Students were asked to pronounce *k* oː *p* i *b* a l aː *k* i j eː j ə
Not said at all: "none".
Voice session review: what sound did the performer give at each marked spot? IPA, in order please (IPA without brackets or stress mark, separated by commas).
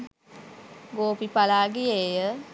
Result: ɡ, p, p, ɡ